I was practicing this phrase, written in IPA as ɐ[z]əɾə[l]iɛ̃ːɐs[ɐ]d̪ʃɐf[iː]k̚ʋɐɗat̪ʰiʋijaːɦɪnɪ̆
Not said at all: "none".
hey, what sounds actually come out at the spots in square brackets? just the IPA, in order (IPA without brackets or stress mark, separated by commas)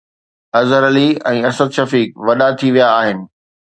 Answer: z, l, ə, iː